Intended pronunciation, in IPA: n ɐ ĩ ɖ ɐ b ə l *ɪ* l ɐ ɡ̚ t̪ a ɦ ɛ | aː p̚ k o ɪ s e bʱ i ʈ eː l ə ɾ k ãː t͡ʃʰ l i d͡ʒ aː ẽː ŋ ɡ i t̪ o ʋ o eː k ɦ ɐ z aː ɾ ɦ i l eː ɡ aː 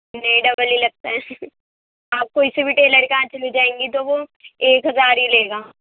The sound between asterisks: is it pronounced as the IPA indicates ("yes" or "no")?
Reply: no